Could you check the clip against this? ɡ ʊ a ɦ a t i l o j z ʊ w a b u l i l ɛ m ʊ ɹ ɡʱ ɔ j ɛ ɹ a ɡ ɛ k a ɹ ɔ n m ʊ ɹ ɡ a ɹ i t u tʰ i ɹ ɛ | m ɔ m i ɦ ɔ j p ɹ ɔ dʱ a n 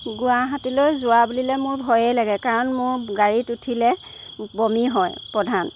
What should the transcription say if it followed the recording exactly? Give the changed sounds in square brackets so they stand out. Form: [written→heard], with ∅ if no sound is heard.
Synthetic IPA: ɡ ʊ a ɦ a t i l o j z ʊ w a b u l i l ɛ m ʊ ɹ [ɡʱ→bʱ] ɔ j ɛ [ɹ→l] a ɡ ɛ k a ɹ ɔ n m ʊ ɹ ɡ a ɹ i t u tʰ i [ɹ→l] ɛ | [m→b] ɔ m i ɦ ɔ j p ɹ ɔ dʱ a n